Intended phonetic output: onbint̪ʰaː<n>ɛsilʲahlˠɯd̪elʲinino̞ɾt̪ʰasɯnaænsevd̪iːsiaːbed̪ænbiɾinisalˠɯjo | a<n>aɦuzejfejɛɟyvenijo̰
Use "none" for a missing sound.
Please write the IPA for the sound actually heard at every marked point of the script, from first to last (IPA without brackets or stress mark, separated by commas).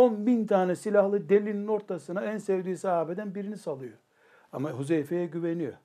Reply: n, m